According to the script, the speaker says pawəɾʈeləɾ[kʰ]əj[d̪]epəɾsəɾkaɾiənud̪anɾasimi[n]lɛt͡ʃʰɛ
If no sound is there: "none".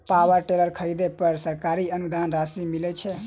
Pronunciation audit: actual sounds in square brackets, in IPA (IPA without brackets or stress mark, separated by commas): kʰ, d̪, none